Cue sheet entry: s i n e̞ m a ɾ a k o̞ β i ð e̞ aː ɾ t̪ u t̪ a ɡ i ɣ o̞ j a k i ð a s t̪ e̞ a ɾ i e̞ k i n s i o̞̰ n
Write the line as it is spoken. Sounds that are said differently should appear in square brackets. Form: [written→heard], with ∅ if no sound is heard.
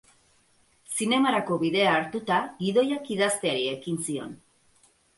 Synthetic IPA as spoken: s i n e̞ m a ɾ a k o̞ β i ð e̞ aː ɾ t̪ u t̪ a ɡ i [ɣ→ð] o̞ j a k i ð a s t̪ e̞ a ɾ i e̞ k i n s i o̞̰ n